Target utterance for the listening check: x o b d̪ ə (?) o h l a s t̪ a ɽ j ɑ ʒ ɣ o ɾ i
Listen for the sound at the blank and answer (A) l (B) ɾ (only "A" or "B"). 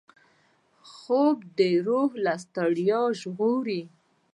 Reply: B